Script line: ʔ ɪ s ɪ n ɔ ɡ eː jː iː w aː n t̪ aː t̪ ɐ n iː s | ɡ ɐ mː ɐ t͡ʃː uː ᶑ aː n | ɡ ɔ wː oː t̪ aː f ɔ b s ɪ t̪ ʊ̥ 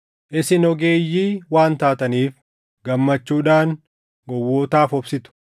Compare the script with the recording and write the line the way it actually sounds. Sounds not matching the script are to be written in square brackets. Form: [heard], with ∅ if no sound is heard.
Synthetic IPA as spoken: ʔ ɪ s ɪ n ɔ ɡ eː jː iː w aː n t̪ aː t̪ ɐ n iː [f] | ɡ ɐ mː ɐ t͡ʃː uː ᶑ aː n | ɡ ɔ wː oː t̪ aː f ɔ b s ɪ t̪ ʊ̥

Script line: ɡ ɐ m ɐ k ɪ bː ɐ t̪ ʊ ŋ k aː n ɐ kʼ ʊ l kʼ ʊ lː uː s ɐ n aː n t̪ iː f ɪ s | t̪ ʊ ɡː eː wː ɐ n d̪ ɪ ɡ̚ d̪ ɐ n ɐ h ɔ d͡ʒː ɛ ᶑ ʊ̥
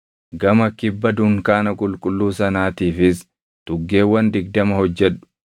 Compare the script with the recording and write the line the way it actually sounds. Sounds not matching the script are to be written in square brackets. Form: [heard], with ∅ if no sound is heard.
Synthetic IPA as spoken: ɡ ɐ m ɐ k ɪ bː ɐ [d̪] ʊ ŋ k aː n ɐ kʼ ʊ l kʼ ʊ lː uː s ɐ n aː [∅] t̪ iː f ɪ s | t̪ ʊ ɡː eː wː ɐ n d̪ ɪ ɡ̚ d̪ ɐ [m] ɐ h ɔ d͡ʒː ɛ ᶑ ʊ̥

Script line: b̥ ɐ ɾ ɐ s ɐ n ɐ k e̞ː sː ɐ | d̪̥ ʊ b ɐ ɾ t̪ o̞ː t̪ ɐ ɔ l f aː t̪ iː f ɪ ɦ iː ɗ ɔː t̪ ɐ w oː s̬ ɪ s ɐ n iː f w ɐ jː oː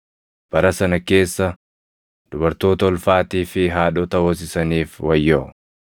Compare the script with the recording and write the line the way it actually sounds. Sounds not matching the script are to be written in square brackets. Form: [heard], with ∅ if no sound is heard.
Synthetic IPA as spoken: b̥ ɐ ɾ ɐ s ɐ n ɐ k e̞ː sː ɐ | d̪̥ ʊ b ɐ ɾ t̪ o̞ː t̪ ɐ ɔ l f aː t̪ iː f ɪ ɦ [aː] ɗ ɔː t̪ ɐ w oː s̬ ɪ s ɐ n iː f w ɐ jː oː

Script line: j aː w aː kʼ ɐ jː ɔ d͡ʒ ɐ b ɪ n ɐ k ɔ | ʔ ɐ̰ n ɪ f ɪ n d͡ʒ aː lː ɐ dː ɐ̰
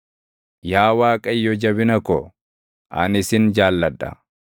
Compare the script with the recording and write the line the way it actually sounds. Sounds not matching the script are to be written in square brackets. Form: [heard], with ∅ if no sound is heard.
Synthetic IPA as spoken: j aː w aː kʼ ɐ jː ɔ d͡ʒ ɐ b ɪ n ɐ k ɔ | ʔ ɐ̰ n ɪ [s] ɪ n d͡ʒ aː lː ɐ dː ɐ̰

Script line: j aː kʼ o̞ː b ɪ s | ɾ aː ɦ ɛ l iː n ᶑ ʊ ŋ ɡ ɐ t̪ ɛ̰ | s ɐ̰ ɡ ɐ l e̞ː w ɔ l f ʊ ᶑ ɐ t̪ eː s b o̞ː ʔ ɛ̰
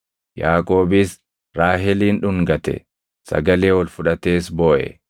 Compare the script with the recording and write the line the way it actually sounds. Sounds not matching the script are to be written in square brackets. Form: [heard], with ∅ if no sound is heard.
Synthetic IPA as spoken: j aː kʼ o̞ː b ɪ s | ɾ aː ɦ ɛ l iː n ᶑ ʊ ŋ ɡ ɐ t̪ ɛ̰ | s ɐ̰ ɡ ɐ l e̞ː w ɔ l f ʊ ᶑ ɐ t̪ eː s b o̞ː ʔ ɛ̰

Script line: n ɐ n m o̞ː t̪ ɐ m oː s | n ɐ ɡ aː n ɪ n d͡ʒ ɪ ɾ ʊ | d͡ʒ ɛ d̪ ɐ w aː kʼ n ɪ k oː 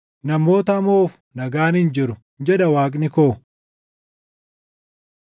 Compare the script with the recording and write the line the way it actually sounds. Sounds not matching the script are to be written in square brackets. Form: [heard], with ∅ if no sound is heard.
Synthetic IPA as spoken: n ɐ [∅] m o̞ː t̪ ɐ m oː [f] | n ɐ ɡ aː n ɪ n d͡ʒ ɪ ɾ ʊ | d͡ʒ ɛ d̪ ɐ w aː kʼ n ɪ k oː

